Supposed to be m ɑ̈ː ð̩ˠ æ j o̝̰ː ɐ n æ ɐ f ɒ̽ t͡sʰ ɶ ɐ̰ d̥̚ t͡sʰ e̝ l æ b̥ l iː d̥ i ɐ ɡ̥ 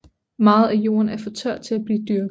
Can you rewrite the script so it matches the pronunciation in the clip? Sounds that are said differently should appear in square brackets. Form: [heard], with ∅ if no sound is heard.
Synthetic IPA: m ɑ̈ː ð̩ˠ æ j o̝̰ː ɐ n æ ɐ f ɒ̽ t͡sʰ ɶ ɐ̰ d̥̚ t͡sʰ e̝ l æ b̥ l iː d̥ [y] ɐ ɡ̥